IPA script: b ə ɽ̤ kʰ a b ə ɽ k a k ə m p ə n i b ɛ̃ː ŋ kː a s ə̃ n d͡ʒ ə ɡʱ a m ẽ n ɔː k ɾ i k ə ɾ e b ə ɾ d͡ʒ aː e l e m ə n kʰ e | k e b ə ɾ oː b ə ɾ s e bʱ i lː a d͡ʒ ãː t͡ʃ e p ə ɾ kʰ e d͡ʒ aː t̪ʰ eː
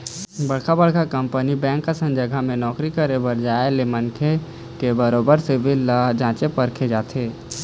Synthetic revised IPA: b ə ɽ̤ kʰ a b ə ɽ k a k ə m p ə n i b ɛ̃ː ŋ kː a s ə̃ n d͡ʒ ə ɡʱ a m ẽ n ɔː k ɾ i k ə ɾ e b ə ɾ d͡ʒ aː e l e m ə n kʰ e | k e b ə ɾ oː b ə ɾ s e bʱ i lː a d͡ʒ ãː t͡ʃ e p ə ɾ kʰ e d͡ʒ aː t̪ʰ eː